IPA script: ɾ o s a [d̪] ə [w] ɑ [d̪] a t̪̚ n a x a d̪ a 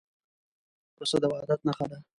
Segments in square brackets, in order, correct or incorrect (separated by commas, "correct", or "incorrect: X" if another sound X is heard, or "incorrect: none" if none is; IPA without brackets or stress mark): correct, correct, correct